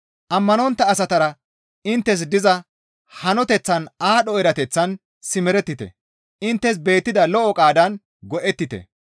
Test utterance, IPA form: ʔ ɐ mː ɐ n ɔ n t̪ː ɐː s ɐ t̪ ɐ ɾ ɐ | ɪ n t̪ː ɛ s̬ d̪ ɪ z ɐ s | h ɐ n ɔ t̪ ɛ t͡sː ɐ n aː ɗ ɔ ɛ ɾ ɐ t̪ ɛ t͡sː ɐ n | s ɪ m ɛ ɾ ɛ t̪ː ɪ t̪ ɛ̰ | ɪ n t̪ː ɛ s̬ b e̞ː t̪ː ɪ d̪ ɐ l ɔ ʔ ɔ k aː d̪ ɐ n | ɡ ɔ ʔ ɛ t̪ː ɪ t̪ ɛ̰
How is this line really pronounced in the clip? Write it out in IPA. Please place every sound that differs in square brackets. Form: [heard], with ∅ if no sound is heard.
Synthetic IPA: ʔ ɐ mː ɐ n ɔ n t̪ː ɐː s ɐ t̪ ɐ ɾ ɐ | ɪ n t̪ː ɛ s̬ d̪ ɪ z ɐ [∅] | h ɐ n ɔ t̪ ɛ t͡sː ɐ n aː ɗ ɔ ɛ ɾ ɐ t̪ ɛ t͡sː ɐ n | s ɪ m ɛ ɾ ɛ t̪ː ɪ t̪ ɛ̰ | ɪ n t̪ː ɛ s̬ b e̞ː t̪ː ɪ d̪ ɐ l ɔ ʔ ɔ [kʼ] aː d̪ ɐ n | ɡ ɔ ʔ ɛ t̪ː ɪ t̪ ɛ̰

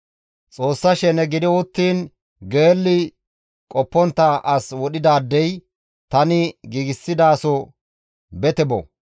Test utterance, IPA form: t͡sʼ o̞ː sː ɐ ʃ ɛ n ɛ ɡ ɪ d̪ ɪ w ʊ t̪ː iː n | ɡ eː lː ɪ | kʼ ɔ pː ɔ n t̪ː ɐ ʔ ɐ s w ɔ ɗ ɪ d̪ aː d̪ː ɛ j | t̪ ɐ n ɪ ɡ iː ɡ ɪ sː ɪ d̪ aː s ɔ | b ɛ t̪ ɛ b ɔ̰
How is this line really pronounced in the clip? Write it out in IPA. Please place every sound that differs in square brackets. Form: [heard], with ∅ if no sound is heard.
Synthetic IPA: t͡sʼ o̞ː sː ɐ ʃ ɛ n ɛ ɡ ɪ d̪ ɪ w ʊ t̪ː iː n | ɡ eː lː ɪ | kʼ ɔ pː ɔ n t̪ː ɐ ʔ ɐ s w ɔ ɗ ɪ d̪ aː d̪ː ɛ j | t̪ ɐ n ɪ ɡ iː ɡ ɪ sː ɪ d̪ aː s ɔ | b ɛ t̪ ɛ b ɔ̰

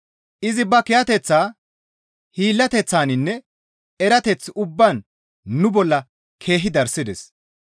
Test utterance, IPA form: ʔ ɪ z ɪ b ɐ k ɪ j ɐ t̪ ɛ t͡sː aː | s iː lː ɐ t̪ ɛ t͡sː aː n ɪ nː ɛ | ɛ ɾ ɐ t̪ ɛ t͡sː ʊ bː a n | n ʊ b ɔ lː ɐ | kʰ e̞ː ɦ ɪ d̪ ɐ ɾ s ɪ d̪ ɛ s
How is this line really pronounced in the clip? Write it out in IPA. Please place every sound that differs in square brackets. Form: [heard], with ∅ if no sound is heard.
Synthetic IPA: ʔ ɪ z ɪ b ɐ k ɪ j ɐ t̪ ɛ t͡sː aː | [h] iː lː ɐ t̪ ɛ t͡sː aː n ɪ nː ɛ | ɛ ɾ ɐ t̪ ɛ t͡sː ʊ bː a n | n ʊ b ɔ lː ɐ | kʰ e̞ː ɦ ɪ d̪ ɐ ɾ s ɪ d̪ ɛ s

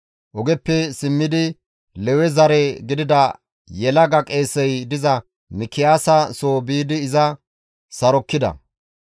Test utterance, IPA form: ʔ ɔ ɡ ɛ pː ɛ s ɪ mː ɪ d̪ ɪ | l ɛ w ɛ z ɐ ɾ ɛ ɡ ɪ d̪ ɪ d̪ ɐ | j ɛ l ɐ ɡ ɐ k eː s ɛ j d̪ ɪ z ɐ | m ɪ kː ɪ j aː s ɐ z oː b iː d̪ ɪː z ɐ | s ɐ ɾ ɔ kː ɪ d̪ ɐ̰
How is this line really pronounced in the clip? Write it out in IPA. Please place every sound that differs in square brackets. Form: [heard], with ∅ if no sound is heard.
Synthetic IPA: ʔ ɔ ɡ ɛ pː ɛ s ɪ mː ɪ d̪ ɪ | l ɛ w ɛ z ɐ ɾ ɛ ɡ ɪ d̪ ɪ d̪ ɐ | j ɛ l ɐ ɡ ɐ [kʼ] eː s ɛ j d̪ ɪ z ɐ | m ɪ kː ɪ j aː s ɐ [s] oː b iː d̪ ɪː z ɐ | s ɐ ɾ ɔ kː ɪ d̪ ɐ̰

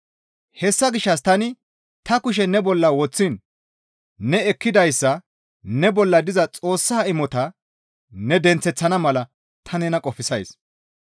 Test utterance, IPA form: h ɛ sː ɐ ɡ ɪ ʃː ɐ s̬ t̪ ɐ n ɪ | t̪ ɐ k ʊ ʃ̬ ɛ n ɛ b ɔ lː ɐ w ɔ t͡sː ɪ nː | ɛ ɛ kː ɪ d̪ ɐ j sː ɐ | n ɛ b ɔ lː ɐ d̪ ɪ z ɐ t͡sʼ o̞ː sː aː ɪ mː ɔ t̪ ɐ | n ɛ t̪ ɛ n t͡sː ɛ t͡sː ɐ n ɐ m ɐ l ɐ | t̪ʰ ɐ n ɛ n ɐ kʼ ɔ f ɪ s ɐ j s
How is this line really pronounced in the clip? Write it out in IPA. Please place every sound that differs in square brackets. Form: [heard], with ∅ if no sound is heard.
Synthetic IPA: h ɛ sː ɐ ɡ ɪ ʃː ɐ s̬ t̪ ɐ n ɪ | t̪ ɐ k ʊ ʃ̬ ɛ n ɛ b ɔ lː ɐ w ɔ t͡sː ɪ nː | ɛ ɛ kː ɪ d̪ ɐ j sː ɐ | n ɛ b ɔ lː ɐ d̪ ɪ z ɐ t͡sʼ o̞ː sː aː ɪ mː ɔ t̪ ɐ | n ɛ [d̪] ɛ n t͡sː ɛ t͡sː ɐ n ɐ m ɐ l ɐ | t̪ʰ ɐ n ɛ n ɐ kʼ ɔ f ɪ s ɐ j s

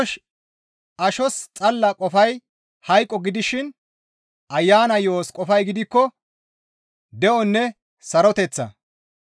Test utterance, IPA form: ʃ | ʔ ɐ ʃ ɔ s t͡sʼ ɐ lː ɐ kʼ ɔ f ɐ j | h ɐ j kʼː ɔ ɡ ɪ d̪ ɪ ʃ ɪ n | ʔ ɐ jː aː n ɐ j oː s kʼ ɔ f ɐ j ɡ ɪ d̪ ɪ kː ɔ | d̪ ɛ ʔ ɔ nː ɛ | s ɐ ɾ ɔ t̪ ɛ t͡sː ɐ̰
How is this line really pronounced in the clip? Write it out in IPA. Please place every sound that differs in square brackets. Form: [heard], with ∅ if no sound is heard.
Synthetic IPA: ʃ | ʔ ɐ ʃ ɔ s t͡sʼ ɐ lː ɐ kʼ ɔ f ɐ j | h ɐ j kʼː ɔ ɡ ɪ d̪ ɪ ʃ ɪ n | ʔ ɐ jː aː n ɐ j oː s kʼ ɔ f ɐ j ɡ ɪ d̪ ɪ kː ɔ | d̪ ɛ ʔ ɔ nː ɛ | s ɐ ɾ ɔ t̪ ɛ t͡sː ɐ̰

